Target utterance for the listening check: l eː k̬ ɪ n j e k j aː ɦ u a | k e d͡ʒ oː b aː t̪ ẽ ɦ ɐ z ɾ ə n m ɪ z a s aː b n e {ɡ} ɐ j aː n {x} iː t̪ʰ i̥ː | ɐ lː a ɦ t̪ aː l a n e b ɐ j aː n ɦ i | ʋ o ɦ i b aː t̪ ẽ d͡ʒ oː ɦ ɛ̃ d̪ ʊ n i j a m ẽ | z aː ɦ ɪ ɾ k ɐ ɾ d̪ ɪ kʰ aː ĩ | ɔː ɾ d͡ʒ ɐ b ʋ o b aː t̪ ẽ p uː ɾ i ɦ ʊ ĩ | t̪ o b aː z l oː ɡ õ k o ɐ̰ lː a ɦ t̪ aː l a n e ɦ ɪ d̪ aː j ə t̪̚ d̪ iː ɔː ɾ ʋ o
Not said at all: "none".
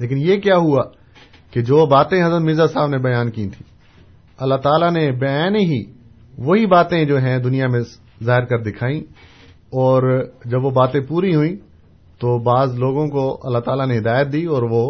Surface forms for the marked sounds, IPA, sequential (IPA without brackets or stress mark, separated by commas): b, k